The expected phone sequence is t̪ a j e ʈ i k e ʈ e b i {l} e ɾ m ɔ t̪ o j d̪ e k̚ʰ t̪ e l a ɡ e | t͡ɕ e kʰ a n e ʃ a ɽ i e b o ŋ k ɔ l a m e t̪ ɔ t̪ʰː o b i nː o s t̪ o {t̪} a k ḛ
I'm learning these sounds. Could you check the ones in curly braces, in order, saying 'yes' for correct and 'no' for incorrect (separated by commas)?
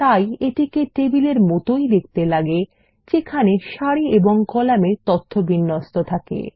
yes, no